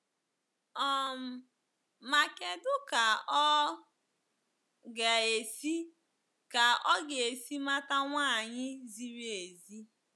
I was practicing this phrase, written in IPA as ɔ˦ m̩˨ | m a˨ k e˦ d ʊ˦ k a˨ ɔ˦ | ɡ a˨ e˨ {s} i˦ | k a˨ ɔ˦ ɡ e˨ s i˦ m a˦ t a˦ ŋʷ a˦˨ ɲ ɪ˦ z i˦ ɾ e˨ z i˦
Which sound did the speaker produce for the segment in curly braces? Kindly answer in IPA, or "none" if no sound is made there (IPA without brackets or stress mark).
s